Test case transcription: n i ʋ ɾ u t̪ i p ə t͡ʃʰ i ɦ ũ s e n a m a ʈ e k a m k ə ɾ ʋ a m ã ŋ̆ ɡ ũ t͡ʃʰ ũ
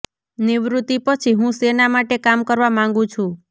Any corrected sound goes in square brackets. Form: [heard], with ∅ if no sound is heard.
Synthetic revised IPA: n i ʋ ɾ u t̪ i p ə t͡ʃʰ i ɦ ũ s e n a m a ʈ e k a m k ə ɾ ʋ a m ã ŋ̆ ɡ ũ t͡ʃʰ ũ